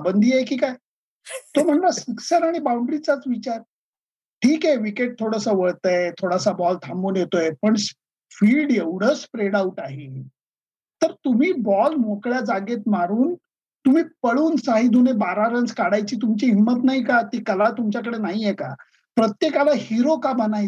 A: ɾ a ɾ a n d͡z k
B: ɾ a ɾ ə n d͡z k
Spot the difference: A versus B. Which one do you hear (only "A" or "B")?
B